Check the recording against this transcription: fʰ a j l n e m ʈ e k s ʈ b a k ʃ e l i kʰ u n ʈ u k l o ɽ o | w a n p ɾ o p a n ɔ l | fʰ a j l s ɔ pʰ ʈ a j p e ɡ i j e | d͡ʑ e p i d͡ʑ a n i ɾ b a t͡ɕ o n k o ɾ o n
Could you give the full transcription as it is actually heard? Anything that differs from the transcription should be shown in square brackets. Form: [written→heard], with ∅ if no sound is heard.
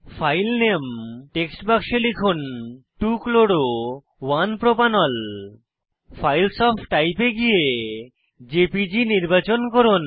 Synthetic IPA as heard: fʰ a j l n e m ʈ e k s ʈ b a k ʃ e l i kʰ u n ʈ u k l o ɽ o | w a n p ɾ o p a n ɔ l | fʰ a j l s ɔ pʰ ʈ a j p e ɡ i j e | d͡ʑ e p i d͡ʑ [a→i] n i ɾ b a t͡ɕ o n k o ɾ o n